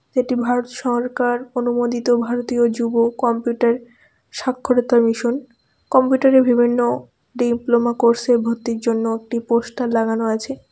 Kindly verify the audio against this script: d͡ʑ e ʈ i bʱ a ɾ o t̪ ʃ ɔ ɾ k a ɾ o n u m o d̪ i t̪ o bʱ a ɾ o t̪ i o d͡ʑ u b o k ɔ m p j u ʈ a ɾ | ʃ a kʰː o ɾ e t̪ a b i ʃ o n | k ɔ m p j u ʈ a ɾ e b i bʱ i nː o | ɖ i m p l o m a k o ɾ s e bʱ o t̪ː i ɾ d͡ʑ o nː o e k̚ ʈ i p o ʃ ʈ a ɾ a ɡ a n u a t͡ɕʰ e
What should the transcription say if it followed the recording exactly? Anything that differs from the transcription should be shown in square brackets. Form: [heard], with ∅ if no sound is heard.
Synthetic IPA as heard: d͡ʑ e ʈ i bʱ a ɾ o t̪ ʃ ɔ ɾ k a ɾ o n u m o d̪ i t̪ o bʱ a ɾ o t̪ i o d͡ʑ u b o k ɔ m p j u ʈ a ɾ | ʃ a kʰː o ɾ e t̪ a [m] i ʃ o n | k ɔ m p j u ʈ a ɾ e b i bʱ i nː o | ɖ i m p l o m a k o ɾ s e bʱ o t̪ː i ɾ d͡ʑ o nː o e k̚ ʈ i p o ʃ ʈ a [l] a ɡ a n [o] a t͡ɕʰ e

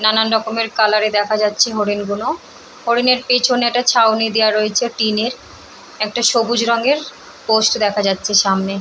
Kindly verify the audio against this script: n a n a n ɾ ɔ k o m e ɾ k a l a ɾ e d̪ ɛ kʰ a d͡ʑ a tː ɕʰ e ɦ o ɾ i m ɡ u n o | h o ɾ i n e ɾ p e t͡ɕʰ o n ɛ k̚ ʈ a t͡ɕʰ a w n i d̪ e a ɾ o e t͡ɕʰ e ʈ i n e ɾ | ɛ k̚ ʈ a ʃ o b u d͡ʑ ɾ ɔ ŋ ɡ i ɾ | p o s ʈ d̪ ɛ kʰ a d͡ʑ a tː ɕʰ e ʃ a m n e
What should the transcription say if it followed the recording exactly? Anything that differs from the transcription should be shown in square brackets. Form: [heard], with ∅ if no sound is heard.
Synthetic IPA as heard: n a n a n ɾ ɔ k o m e ɾ k a l a ɾ e d̪ ɛ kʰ a d͡ʑ a tː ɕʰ e ɦ o ɾ i [n] ɡ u n o | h o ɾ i n e ɾ p e t͡ɕʰ o n ɛ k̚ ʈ a t͡ɕʰ a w n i d̪ e a ɾ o e t͡ɕʰ e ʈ i n e ɾ | ɛ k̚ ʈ a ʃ o b u d͡ʑ ɾ ɔ ŋ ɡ [e] ɾ | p o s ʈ d̪ ɛ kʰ a d͡ʑ a tː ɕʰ e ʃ a m n e

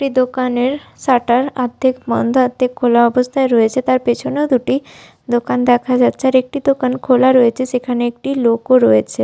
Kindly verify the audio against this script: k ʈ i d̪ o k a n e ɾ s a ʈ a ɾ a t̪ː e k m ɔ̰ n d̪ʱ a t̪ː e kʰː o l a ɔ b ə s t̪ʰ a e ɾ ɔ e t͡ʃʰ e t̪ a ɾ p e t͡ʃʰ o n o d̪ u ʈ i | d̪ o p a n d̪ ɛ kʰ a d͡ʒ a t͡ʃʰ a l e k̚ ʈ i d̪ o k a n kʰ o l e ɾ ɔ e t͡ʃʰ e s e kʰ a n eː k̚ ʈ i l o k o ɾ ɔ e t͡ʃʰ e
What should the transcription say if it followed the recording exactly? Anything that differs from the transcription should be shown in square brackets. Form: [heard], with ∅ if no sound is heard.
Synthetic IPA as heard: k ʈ i d̪ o k a n e ɾ s a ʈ a ɾ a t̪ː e k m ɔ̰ n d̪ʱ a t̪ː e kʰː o l a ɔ b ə s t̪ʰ a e ɾ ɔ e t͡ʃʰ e t̪ a ɾ p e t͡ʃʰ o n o d̪ u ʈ i | d̪ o [k] a n d̪ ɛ kʰ a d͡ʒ a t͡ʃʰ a [ɾ] e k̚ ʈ i d̪ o k a n kʰ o l [a] ɾ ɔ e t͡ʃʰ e s e kʰ a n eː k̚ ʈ i l o k o ɾ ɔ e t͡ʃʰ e

